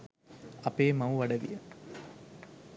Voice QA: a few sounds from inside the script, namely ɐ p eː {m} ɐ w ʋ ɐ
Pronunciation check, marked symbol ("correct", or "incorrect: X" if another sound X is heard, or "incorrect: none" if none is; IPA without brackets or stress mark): correct